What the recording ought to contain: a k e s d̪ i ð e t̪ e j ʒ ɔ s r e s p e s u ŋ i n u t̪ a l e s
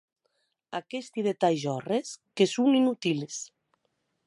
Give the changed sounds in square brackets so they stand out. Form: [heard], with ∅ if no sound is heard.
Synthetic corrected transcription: a k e s [t̪] i ð e t̪ [a] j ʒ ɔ [∅] r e s [k] e s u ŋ i n u t̪ [i] l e s